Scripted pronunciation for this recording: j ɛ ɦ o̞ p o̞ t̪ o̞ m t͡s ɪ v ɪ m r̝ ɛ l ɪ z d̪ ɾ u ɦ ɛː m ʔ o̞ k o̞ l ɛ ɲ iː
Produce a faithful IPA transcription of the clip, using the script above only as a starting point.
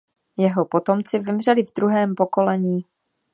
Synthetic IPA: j ɛ ɦ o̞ p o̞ t̪ o̞ m t͡s ɪ v ɪ m r̝ ɛ l ɪ v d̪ ɾ u ɦ ɛː m p o̞ k o̞ l ɛ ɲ iː